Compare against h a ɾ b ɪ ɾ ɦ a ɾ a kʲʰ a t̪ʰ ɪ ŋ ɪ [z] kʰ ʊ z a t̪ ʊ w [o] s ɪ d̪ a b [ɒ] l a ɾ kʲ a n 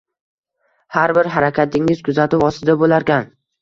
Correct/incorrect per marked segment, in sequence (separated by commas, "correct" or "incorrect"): correct, incorrect, incorrect